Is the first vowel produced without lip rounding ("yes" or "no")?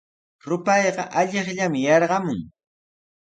no